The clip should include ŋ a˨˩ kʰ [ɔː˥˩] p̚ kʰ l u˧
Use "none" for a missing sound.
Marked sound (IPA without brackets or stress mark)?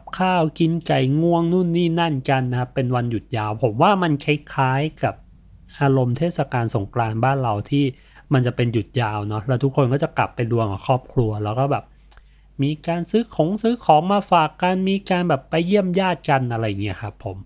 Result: ɔː˥˩